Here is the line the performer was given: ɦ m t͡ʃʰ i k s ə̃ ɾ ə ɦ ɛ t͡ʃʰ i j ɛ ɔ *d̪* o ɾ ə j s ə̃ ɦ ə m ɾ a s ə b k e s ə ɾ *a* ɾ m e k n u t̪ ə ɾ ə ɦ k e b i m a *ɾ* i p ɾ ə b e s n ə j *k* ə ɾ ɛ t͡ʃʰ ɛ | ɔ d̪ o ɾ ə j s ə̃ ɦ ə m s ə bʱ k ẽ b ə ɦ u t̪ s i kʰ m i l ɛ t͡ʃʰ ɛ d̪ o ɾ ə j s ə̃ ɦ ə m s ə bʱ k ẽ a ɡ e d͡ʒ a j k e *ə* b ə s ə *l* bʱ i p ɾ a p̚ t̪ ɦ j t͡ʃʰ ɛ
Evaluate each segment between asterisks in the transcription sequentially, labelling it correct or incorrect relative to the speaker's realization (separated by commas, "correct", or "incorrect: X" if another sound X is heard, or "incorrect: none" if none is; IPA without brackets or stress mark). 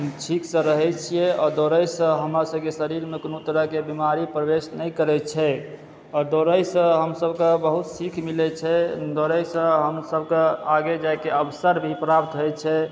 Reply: correct, incorrect: i, correct, correct, correct, incorrect: ɾ